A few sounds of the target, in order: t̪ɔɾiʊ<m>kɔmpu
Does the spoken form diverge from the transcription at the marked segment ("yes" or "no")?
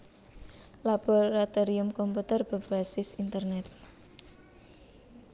no